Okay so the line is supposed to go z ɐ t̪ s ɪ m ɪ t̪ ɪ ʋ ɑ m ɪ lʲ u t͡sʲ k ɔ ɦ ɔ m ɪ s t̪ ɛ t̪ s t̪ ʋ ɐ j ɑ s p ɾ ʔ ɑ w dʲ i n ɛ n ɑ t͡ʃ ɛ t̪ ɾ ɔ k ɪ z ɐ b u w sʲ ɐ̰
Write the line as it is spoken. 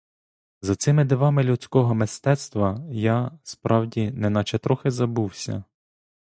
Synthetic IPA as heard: z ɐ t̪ s ɪ m ɪ d̪ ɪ ʋ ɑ m ɪ lʲ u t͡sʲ k ɔ ɦ ɔ m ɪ s t̪ ɛ t̪ s t̪ ʋ ɐ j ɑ s p ɾ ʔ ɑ w dʲ i n ɛ n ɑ t͡ʃ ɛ t̪ ɾ ɔ x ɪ z ɐ b u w sʲ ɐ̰